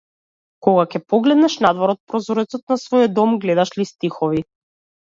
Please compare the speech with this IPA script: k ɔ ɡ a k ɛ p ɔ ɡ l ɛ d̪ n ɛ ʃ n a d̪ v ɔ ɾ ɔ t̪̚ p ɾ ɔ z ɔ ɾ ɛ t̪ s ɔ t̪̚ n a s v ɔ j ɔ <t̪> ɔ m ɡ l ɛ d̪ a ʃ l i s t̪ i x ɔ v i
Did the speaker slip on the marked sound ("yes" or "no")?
yes